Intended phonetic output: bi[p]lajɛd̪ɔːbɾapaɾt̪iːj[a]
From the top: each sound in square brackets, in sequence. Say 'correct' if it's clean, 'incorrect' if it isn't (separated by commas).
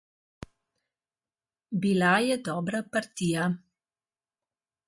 incorrect, correct